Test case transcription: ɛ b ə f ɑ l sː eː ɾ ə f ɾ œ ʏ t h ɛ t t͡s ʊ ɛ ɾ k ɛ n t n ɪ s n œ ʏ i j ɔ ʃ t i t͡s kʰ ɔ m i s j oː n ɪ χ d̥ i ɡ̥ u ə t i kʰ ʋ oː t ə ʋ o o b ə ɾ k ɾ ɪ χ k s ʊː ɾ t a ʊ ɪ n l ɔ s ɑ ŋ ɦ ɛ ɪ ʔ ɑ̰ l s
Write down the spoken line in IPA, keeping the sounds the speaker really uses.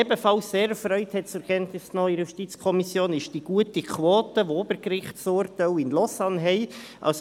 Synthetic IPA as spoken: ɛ b ə f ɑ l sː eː ɾ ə f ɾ œ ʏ t h ɛ t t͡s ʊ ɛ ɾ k ɛ n t n ɪ s n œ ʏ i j u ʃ t i t͡s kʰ ɔ m i s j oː n ɪ ʃ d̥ i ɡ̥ u ə t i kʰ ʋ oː t ə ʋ o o b ə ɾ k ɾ ɪ χ t s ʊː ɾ t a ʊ ɪ n l ɔ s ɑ n ɦ ɛ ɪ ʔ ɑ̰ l s